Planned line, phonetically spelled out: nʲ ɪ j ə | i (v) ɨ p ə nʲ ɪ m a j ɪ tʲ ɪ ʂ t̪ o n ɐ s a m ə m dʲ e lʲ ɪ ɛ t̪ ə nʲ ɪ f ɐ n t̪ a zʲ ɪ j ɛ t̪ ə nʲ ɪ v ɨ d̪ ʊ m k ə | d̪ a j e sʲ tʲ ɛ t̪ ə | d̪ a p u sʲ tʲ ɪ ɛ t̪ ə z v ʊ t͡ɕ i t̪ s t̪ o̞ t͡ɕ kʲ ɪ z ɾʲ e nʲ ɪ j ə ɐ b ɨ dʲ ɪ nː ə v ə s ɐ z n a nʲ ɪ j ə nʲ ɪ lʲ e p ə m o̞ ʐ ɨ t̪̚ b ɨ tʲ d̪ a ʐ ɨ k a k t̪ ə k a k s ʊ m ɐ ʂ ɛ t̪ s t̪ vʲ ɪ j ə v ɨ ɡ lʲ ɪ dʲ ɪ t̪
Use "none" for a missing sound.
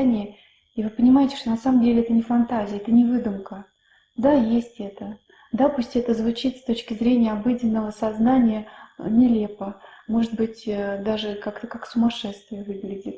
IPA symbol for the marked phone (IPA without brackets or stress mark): v